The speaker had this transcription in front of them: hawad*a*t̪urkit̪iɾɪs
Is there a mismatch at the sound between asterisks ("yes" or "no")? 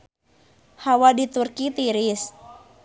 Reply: yes